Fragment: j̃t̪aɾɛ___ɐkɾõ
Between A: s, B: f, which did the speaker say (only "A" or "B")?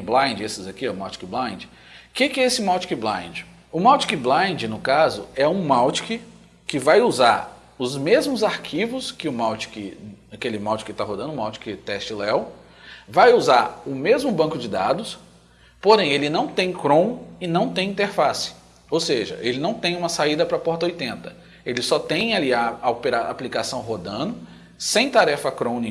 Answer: B